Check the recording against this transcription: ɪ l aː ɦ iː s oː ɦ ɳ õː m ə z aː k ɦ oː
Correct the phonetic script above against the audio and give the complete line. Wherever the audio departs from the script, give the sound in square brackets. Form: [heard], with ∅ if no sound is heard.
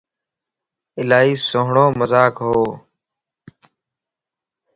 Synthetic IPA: ɪ l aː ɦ iː s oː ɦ ɳ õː m ə z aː k ɦ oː

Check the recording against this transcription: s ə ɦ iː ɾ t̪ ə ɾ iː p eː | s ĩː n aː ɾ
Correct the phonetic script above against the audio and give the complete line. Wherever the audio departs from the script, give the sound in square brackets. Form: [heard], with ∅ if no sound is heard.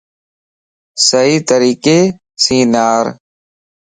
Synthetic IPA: s ə ɦ iː [∅] t̪ ə ɾ iː [k] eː | s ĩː n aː ɾ

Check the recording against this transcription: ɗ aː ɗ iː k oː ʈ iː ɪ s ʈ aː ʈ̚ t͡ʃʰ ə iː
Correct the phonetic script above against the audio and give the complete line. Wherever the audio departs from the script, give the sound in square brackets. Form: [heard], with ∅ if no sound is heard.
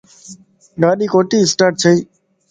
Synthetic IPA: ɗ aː ɗ iː k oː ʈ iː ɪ s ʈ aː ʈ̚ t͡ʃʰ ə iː

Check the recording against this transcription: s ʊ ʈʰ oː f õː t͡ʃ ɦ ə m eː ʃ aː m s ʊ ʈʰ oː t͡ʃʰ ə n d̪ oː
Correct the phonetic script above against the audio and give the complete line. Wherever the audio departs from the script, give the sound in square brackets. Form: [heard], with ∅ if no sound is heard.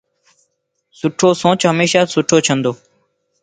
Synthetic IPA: s ʊ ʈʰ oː [s] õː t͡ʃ ɦ ə m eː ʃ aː [∅] s ʊ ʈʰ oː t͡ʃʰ ə n d̪ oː

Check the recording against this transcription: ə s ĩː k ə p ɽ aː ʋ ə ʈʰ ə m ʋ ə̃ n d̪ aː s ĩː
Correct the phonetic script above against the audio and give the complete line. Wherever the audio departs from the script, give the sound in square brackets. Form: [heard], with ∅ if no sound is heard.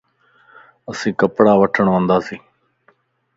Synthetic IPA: ə s ĩː k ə p ɽ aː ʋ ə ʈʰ ə [ɳ] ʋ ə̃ n d̪ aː s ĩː

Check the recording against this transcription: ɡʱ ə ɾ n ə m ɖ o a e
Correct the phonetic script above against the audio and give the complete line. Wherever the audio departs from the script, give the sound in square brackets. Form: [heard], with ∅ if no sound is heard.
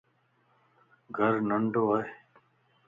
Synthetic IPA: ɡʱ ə ɾ n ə [ɳ] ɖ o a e

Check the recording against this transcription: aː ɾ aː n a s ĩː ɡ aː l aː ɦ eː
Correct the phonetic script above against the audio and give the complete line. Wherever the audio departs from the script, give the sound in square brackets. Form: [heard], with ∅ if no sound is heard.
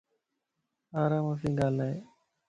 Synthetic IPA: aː ɾ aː [m] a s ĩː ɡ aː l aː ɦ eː

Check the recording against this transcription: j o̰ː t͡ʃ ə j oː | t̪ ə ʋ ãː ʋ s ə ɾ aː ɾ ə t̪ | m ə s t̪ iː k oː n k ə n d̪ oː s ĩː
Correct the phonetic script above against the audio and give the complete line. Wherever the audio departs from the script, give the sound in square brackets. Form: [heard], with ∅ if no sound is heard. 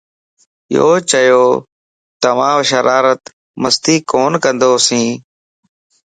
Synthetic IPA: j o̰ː t͡ʃ ə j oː | t̪ ə ʋ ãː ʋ [ʃ] ə ɾ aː ɾ ə t̪ | m ə s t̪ iː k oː n k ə n d̪ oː s ĩː

